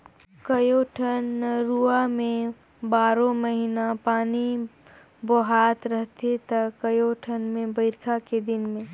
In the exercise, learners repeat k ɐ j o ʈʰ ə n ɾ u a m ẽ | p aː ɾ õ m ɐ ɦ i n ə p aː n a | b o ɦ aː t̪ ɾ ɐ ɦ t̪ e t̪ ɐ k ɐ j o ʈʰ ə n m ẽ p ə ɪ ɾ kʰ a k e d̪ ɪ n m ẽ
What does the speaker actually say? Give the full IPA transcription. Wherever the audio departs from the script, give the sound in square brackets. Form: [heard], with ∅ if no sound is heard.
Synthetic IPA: k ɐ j o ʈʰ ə n ɾ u a m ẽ | [b] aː ɾ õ m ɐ ɦ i n [a] p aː n [i] | b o ɦ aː t̪ ɾ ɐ ɦ t̪ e t̪ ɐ k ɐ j o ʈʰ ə n m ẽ [b] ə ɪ ɾ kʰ a k e d̪ ɪ n m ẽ